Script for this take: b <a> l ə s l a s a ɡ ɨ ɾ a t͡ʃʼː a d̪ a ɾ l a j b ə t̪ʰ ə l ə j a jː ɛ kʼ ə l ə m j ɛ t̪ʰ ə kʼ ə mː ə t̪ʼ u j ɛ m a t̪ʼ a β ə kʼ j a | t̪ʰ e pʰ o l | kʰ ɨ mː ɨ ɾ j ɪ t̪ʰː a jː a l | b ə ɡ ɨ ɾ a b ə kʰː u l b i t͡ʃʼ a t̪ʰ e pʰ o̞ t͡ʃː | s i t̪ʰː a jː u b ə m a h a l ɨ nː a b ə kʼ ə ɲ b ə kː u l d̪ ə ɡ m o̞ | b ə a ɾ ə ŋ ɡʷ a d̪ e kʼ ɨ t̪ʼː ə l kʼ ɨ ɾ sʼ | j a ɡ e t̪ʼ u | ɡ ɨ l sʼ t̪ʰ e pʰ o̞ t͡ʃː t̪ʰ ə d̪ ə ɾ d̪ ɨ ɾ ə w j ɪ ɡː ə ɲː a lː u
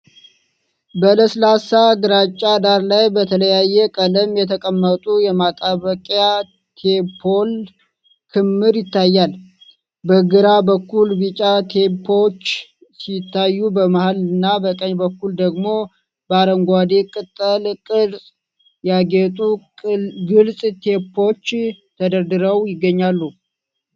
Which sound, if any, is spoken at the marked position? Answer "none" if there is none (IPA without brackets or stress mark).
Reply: ə